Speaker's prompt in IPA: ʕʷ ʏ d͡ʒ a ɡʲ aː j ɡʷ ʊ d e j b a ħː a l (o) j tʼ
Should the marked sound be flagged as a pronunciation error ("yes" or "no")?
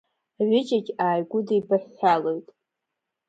no